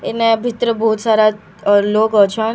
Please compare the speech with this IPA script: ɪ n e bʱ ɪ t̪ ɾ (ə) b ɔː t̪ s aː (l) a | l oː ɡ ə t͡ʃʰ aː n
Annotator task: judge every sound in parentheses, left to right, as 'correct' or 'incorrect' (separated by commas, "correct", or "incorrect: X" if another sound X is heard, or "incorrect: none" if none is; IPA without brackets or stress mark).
correct, incorrect: ɾ